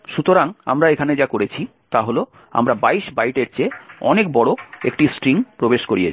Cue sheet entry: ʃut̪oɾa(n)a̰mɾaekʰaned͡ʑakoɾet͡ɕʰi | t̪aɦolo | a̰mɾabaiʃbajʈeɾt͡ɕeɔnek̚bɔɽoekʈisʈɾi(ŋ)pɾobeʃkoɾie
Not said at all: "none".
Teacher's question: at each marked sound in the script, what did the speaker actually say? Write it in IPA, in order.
ŋ, ŋ

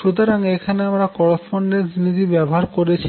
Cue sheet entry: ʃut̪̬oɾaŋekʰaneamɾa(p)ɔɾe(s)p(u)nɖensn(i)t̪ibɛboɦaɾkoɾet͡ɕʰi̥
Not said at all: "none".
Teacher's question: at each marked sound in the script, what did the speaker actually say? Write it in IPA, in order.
k, s, o, i

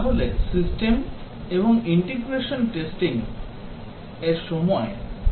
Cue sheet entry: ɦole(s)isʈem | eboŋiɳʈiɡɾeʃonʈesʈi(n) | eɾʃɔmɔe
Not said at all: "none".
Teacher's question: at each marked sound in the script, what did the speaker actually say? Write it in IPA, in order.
s, ŋ

